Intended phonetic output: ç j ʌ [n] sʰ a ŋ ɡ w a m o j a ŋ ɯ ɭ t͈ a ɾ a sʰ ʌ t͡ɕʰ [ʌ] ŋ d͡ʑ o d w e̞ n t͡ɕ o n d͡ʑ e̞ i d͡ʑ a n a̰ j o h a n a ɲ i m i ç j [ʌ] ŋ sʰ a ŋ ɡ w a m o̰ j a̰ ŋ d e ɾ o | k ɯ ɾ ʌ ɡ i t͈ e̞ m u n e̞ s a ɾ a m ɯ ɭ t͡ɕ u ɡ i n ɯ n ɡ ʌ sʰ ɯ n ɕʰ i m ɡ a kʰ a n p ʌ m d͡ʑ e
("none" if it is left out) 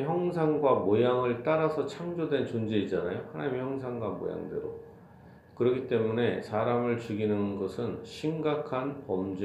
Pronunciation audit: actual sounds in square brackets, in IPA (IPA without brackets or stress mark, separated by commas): ŋ, a, ʌ